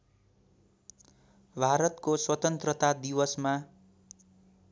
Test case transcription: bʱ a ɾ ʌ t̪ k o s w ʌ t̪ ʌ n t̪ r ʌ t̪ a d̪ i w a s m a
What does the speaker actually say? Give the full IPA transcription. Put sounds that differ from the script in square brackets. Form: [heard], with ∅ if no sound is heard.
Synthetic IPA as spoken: bʱ a ɾ ʌ t̪ k o s w ʌ t̪ ʌ n t̪ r ʌ t̪ a d̪ i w [ʌ] s m a